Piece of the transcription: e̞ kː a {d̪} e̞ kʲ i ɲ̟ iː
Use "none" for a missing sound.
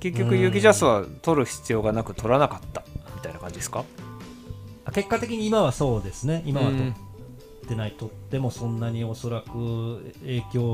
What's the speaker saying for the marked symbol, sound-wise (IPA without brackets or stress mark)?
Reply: t̪